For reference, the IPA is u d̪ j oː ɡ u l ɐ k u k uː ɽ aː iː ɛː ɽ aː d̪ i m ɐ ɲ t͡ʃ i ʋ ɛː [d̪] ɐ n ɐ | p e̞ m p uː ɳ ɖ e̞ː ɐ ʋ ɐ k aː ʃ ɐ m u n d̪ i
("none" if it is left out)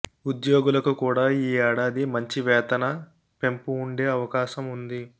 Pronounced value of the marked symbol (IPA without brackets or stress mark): t̪